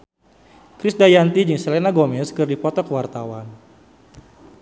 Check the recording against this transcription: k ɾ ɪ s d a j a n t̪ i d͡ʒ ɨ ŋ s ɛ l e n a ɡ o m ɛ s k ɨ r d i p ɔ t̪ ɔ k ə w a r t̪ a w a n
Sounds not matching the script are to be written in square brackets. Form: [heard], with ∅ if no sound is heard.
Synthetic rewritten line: k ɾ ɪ s d a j a n t̪ i d͡ʒ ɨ ŋ s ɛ l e n a ɡ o m ɛ s k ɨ r d i p ɔ t̪ ɔ k ə w a r t̪ a w a n